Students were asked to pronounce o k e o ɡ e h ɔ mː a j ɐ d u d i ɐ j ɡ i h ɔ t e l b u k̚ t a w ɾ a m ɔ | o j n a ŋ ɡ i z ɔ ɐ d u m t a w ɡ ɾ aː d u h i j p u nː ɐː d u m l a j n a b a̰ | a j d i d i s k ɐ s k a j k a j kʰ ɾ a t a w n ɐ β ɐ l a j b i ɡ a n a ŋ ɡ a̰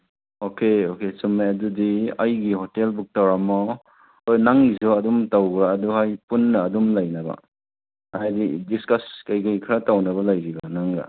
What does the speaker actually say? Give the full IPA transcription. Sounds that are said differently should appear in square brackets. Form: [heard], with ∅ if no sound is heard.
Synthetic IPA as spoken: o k e o [k] e [s] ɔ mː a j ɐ d u d i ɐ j ɡ i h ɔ t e l b u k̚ t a w ɾ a m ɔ | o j n a ŋ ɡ i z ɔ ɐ d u m t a w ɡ ɾ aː d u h [a] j p u nː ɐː d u m l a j n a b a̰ | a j d i d i s k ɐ s k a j k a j kʰ ɾ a t a w n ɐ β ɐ l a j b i ɡ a n a ŋ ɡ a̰